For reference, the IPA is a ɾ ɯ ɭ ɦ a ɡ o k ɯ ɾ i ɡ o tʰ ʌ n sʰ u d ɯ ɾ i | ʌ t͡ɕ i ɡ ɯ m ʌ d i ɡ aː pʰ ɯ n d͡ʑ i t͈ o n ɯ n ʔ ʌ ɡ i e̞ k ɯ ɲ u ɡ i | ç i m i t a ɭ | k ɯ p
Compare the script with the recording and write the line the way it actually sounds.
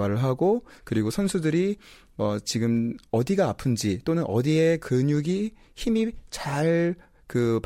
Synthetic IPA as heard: a ɾ ɯ ɭ ɦ a ɡ o k ɯ ɾ i ɡ o sʰ ʌ n sʰ u d ɯ ɾ i | ʌ t͡ɕ i ɡ ɯ m ʌ d i ɡ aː pʰ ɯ n d͡ʑ i t͈ o n ɯ n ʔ ʌ d i e̞ k ɯ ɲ u ɡ i | ç i m i t͡ɕ a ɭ | k ɯ p